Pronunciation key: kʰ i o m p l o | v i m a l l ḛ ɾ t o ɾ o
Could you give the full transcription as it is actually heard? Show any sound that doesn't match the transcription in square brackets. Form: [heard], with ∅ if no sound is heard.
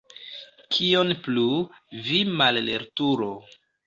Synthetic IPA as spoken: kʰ i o [n] p l [u] | v i m a l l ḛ ɾ t [u] ɾ o